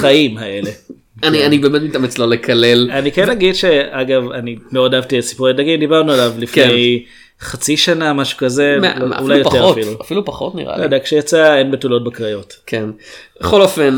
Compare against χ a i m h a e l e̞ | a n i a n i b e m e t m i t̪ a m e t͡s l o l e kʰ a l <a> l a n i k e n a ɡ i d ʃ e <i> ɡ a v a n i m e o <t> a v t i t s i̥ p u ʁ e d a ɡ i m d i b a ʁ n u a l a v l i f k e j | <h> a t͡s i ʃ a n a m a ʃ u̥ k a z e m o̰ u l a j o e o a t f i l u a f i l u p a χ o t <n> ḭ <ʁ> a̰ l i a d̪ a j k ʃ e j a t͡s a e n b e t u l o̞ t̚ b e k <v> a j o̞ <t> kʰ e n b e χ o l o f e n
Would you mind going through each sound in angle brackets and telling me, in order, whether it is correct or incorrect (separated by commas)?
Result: incorrect, incorrect, incorrect, incorrect, correct, correct, incorrect, correct